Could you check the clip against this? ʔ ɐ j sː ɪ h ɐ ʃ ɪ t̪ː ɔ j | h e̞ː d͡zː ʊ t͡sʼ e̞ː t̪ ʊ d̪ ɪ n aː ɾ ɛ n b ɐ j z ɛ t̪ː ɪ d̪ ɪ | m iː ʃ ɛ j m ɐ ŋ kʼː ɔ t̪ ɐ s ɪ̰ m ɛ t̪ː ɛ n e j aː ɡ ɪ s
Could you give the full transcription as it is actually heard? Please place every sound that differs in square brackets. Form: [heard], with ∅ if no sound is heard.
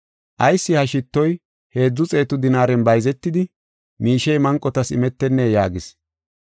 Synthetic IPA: ʔ ɐ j sː ɪ h ɐ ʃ ɪ t̪ː ɔ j | h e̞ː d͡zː ʊ t͡sʼ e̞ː t̪ ʊ d̪ ɪ n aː ɾ ɛ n b ɐ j z ɛ t̪ː ɪ d̪ ɪ | m iː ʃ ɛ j m ɐ ŋ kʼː ɔ t̪ ɐ s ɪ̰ m ɛ t̪ː ɛ [nː] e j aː ɡ ɪ s

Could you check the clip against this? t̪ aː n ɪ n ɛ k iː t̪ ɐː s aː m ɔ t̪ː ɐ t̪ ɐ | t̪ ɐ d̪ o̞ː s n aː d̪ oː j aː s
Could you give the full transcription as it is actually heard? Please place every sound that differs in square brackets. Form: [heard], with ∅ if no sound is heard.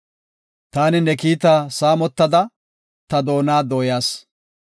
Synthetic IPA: t̪ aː n ɪ n ɛ k iː t̪ [aː] s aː m ɔ t̪ː ɐ [d̪] ɐ | t̪ ɐ d̪ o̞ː [∅] n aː d̪ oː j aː s

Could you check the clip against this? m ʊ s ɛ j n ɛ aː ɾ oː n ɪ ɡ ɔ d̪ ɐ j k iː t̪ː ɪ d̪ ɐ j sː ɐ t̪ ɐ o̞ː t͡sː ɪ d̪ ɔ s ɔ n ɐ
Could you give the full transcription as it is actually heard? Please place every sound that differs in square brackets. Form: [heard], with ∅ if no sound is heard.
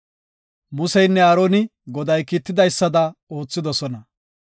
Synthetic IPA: m ʊ s ɛ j [nː] ɛ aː ɾ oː n ɪ ɡ ɔ d̪ ɐ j k iː t̪ː ɪ d̪ ɐ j sː ɐ [d̪] ɐ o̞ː t͡sː ɪ d̪ ɔ s ɔ n ɐ

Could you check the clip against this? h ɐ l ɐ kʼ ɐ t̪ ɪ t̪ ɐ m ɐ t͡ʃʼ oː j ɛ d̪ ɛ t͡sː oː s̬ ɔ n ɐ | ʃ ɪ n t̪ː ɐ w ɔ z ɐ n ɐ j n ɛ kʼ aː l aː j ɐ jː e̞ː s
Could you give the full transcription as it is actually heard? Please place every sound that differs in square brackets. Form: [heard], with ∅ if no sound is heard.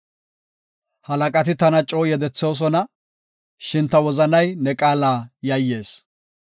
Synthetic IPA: h ɐ l ɐ kʼ ɐ t̪ ɪ t̪ ɐ [n] ɐ t͡ʃʼ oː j ɛ d̪ ɛ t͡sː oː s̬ ɔ n ɐ | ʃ ɪ n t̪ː ɐ w ɔ z ɐ n ɐ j n ɛ kʼ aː l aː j ɐ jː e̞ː s

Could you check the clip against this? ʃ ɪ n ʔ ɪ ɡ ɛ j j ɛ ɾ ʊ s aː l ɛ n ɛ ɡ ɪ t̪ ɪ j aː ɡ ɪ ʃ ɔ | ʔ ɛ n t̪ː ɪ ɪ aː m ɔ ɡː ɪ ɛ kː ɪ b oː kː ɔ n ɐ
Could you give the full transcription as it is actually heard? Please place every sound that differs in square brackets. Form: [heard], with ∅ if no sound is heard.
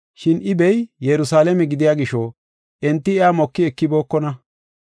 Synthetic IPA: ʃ ɪ n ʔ ɪ [b] ɛ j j ɛ ɾ ʊ s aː l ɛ [m] ɛ ɡ ɪ [d̪] ɪ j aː ɡ ɪ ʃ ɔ | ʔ ɛ n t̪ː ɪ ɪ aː m ɔ [kː] ɪ ɛ kː ɪ b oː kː ɔ n ɐ

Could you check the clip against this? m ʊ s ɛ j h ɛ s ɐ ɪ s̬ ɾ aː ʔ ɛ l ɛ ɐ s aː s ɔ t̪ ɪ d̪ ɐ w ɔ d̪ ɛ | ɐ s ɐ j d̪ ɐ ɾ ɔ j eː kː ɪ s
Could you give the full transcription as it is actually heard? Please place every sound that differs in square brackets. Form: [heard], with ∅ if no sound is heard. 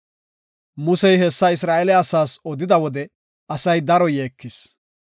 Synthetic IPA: m ʊ s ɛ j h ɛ [sː] ɐ ɪ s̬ ɾ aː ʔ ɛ l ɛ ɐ s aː s ɔ [d̪] ɪ d̪ ɐ w ɔ d̪ ɛ | ɐ s ɐ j d̪ ɐ ɾ ɔ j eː kː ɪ s

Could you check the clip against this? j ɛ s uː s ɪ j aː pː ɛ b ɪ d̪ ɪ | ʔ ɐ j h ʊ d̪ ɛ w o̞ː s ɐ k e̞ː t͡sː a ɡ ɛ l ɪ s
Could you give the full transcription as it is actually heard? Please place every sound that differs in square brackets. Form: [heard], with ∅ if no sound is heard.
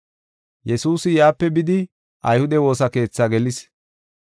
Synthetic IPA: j ɛ s uː s ɪ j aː pː ɛ b ɪ d̪ ɪ | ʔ ɐ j h ʊ d̪ ɛ w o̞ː s ɐ k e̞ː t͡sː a ɡ ɛ l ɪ s

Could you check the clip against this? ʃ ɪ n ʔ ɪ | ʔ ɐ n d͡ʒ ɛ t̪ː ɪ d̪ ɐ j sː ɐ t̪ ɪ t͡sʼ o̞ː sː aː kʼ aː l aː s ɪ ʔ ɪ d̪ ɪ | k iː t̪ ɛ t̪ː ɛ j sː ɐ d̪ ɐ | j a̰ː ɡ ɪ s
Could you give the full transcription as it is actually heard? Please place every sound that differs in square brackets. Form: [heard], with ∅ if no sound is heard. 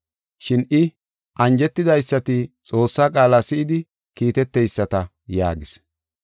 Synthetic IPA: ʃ ɪ n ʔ ɪ | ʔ ɐ n d͡ʒ ɛ t̪ː ɪ d̪ ɐ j sː ɐ t̪ ɪ t͡sʼ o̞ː sː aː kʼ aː l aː s ɪ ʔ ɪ d̪ ɪ | k iː t̪ ɛ t̪ː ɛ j sː ɐ [t̪] ɐ | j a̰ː ɡ ɪ s

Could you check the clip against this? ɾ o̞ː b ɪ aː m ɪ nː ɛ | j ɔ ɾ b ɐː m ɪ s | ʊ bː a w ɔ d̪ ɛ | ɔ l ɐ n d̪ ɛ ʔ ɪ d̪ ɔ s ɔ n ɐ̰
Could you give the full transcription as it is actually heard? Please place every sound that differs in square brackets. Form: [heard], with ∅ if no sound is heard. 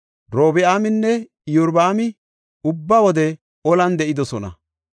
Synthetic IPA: ɾ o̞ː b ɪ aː m ɪ nː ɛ | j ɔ ɾ b [aː] m ɪ [∅] | ʊ bː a w ɔ d̪ ɛ | ɔ l ɐ n d̪ ɛ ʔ ɪ d̪ ɔ s ɔ n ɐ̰

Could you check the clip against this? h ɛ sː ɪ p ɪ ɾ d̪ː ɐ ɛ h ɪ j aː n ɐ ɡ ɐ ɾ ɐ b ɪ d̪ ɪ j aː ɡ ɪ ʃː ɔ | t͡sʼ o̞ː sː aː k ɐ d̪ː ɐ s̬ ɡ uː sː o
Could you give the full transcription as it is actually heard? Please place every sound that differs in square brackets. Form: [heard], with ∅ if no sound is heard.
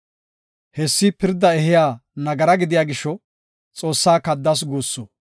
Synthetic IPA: h ɛ sː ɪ p ɪ ɾ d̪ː ɐ ɛ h ɪ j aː n ɐ ɡ ɐ ɾ ɐ [ɡ] ɪ d̪ ɪ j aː ɡ ɪ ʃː ɔ | t͡sʼ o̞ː sː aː k ɐ d̪ː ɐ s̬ ɡ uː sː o

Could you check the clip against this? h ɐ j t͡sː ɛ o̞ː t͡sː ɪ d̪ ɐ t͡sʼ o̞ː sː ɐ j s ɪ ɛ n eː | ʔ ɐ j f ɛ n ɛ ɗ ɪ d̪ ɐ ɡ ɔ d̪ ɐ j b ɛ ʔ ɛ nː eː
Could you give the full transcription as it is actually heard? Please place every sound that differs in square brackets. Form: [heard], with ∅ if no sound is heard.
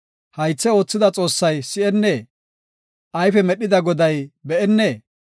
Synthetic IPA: h ɐ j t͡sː ɛ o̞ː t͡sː ɪ d̪ ɐ t͡sʼ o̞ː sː ɐ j s ɪ ɛ [nː] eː | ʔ ɐ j f ɛ [m] ɛ ɗ ɪ d̪ ɐ ɡ ɔ d̪ ɐ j b ɛ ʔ ɛ nː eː

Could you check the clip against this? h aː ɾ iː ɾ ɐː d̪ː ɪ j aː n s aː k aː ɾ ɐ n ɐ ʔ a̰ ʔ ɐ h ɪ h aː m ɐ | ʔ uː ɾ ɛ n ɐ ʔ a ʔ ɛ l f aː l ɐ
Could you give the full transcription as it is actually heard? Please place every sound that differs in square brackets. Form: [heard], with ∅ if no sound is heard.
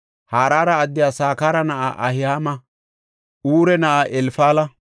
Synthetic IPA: h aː ɾ [aː] ɾ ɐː d̪ː ɪ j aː [∅] s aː k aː ɾ ɐ n ɐ ʔ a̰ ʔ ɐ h ɪ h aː m ɐ | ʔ uː ɾ ɛ n ɐ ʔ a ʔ ɛ l f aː l ɐ

